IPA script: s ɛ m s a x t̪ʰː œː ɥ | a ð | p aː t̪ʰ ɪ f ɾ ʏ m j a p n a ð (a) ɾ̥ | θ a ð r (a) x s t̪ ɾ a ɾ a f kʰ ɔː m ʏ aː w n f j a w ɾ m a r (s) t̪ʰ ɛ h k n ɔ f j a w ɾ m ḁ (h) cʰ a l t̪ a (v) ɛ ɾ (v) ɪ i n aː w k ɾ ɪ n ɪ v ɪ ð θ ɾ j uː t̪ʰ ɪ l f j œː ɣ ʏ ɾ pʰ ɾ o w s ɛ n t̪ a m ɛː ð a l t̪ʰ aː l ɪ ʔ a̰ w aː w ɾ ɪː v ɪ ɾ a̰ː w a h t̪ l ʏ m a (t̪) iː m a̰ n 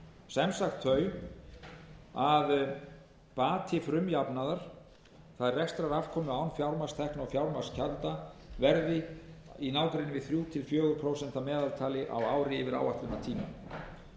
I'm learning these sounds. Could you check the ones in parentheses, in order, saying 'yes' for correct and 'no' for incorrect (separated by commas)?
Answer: yes, no, yes, no, yes, no, no